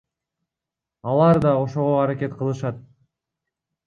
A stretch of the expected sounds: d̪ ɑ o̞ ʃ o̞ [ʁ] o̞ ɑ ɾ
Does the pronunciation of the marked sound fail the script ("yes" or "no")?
no